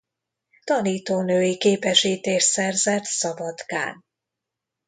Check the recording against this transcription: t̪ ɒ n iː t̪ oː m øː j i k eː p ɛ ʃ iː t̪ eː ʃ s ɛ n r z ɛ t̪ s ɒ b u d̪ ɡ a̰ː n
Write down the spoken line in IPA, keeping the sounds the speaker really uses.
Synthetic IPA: t̪ ɒ n iː t̪ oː n øː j i k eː p ɛ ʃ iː t̪ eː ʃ s ɛ r z ɛ t̪ s ɒ b ɒ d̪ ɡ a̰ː n